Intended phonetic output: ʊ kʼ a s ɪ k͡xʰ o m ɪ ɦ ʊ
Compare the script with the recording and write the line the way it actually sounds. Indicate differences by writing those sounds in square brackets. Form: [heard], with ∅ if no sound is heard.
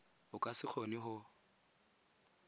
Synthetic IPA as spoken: ʊ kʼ a s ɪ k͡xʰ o [n] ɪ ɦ ʊ